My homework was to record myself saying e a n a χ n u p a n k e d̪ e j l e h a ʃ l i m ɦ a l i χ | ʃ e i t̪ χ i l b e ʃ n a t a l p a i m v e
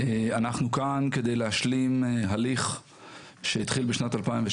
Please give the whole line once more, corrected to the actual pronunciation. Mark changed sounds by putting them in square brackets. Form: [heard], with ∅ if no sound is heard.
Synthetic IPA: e a n a χ n u [k] a n k e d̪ e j l e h a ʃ l i m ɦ a l i χ | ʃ e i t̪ χ i l b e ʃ n a t a l p a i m v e